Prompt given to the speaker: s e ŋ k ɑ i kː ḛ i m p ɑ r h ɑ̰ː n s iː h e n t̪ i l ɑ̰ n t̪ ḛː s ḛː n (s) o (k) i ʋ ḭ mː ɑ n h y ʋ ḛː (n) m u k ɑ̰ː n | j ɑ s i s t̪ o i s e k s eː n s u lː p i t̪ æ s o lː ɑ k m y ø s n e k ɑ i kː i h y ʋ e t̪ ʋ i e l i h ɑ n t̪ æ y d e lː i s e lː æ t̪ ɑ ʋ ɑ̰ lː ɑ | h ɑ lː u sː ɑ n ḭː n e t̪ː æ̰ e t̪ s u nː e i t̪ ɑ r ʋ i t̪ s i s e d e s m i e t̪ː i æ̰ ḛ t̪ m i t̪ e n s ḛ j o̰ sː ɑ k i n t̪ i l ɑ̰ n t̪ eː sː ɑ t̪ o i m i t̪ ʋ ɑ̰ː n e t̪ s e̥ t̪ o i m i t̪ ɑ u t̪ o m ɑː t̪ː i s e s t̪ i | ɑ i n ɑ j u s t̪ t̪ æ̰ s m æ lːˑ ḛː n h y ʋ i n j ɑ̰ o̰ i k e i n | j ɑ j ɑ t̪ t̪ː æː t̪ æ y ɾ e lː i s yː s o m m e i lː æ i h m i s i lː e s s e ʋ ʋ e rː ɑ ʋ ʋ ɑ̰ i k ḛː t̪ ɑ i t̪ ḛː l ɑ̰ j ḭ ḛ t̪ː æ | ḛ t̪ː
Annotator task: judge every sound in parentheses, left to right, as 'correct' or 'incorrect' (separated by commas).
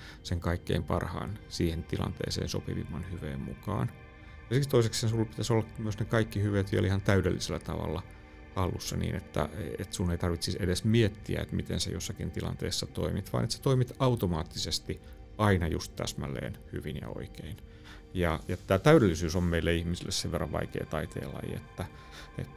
correct, incorrect, incorrect